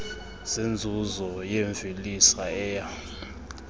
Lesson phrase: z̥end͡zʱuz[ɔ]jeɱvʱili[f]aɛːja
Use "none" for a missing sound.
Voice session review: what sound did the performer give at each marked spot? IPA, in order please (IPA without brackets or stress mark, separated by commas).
ɔ, s